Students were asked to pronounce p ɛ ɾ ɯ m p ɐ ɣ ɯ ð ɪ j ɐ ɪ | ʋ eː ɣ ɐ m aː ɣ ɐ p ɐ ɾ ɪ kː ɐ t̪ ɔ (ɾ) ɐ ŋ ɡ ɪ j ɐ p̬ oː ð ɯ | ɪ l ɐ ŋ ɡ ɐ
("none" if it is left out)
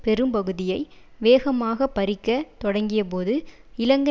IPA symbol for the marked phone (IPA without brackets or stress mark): ɽ